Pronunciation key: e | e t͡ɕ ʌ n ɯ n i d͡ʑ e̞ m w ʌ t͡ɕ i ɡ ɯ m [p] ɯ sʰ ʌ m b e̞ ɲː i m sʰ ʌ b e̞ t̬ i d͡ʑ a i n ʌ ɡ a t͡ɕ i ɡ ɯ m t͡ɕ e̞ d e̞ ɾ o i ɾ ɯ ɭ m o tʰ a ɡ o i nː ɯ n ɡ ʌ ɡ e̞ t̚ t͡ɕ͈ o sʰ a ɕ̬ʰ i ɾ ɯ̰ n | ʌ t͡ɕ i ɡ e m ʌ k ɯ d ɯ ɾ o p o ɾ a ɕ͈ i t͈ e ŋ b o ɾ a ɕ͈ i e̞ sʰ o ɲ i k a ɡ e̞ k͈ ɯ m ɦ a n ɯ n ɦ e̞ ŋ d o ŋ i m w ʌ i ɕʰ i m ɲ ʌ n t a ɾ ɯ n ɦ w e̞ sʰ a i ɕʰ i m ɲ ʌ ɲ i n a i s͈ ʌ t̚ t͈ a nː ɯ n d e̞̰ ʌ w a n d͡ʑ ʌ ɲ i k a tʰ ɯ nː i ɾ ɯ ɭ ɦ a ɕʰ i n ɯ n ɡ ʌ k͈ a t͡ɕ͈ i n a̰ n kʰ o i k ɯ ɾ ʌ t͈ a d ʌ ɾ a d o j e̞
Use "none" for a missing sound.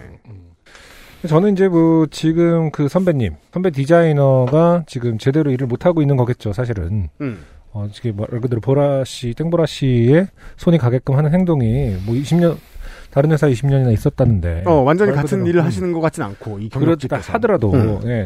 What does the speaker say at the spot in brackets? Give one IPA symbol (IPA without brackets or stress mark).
k